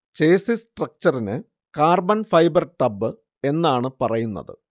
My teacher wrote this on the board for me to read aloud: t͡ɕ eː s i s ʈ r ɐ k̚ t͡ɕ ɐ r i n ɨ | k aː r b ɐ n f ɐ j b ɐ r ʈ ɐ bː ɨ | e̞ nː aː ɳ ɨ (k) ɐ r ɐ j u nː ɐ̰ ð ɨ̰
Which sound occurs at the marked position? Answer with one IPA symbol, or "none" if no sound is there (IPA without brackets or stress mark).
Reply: p